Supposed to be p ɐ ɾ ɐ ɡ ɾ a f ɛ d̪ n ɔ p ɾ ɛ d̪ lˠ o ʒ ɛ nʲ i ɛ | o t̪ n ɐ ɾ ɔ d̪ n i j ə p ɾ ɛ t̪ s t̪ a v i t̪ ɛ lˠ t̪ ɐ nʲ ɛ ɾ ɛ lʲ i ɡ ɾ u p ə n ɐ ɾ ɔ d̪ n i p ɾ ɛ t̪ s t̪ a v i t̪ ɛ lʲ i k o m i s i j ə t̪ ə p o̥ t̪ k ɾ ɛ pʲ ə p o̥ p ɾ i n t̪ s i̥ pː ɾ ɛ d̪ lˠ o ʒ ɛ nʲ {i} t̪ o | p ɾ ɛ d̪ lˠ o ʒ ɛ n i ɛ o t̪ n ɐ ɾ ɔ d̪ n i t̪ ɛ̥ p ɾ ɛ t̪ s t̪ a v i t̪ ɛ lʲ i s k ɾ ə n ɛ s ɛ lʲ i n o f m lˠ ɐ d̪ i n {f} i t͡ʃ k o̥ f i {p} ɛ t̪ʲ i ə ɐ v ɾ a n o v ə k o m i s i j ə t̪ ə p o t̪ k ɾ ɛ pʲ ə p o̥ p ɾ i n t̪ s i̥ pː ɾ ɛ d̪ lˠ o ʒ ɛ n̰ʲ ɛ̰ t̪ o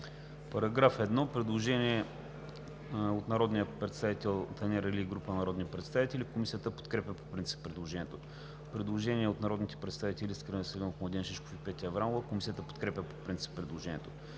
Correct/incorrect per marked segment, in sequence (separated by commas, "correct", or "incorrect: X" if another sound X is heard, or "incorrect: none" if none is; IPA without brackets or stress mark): incorrect: ɛ, incorrect: ʃ, correct